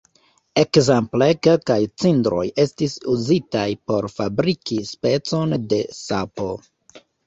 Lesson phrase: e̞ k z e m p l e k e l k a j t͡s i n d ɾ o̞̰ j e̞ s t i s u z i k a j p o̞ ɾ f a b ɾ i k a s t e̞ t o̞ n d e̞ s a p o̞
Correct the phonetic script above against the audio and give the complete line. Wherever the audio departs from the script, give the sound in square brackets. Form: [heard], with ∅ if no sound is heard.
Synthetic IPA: e̞ k z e m p l e k e l k a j t͡s i n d ɾ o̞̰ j e̞ s t i s u z i [t] a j p o̞ ɾ f a b ɾ i k [i] s [p] e̞ [t͡s] o̞ n d e̞ s a p o̞